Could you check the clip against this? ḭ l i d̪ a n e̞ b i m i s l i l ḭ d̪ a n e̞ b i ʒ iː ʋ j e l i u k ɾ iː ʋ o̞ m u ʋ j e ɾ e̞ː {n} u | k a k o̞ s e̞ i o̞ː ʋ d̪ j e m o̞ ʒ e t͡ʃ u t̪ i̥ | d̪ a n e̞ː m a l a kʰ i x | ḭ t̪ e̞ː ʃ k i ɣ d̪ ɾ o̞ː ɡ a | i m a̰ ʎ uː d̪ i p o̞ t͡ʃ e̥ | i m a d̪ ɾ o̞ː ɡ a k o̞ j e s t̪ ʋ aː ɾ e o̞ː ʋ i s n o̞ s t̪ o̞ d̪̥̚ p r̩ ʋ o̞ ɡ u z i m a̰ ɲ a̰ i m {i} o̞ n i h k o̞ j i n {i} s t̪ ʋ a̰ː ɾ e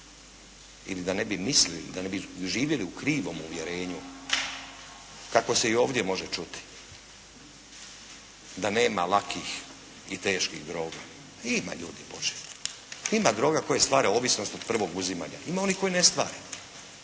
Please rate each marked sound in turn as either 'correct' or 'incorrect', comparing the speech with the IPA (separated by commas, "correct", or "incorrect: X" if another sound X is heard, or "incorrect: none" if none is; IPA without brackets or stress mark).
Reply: incorrect: ɲ, incorrect: a, incorrect: e